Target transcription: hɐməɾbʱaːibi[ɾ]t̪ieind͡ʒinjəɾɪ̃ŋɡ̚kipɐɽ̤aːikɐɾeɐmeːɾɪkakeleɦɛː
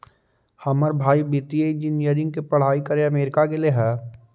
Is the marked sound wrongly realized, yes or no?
yes